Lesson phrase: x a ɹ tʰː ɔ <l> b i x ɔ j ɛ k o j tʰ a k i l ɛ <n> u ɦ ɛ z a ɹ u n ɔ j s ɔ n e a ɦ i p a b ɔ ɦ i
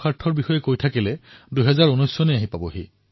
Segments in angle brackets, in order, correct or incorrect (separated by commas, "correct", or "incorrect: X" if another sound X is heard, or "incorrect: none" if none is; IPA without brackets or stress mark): incorrect: ɹ, incorrect: d